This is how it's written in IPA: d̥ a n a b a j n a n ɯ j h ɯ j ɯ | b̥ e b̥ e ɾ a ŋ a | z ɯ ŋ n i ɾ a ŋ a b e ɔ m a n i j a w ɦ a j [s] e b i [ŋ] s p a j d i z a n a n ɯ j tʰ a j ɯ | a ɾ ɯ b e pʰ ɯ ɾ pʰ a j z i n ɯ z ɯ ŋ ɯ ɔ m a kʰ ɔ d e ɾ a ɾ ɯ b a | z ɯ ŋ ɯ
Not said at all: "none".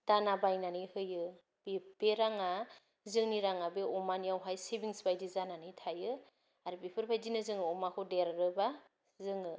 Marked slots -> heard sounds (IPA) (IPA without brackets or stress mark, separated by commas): s, ŋ